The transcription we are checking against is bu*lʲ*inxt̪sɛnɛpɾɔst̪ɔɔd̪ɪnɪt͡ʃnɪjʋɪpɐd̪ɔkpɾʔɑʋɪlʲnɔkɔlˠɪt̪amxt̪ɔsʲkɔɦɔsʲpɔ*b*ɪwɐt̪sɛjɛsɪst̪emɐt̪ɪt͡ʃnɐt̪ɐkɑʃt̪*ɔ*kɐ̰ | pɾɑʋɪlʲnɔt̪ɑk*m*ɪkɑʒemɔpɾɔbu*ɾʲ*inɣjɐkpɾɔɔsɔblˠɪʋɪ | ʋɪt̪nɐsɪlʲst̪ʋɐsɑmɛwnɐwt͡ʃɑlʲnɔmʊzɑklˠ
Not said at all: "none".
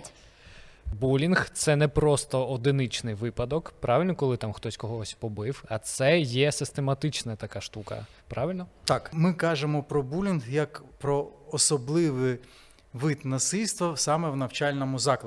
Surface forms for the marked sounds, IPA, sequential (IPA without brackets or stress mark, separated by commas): lʲ, b, u, m, lʲ